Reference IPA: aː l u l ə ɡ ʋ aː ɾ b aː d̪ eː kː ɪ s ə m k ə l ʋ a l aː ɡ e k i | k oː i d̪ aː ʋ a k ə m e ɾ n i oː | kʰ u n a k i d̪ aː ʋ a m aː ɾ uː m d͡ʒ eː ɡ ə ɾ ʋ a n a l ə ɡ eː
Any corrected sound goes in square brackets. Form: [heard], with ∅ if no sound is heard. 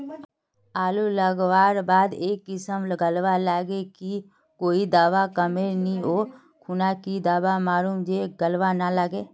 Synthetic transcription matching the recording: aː l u l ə ɡ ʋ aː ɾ b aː d̪ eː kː ɪ s ə m [ɡ] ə l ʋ a l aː ɡ e k i | k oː i d̪ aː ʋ a k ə m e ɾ n i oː | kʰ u n a k i d̪ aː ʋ a m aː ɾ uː m d͡ʒ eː ɡ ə [l] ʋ a n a l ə ɡ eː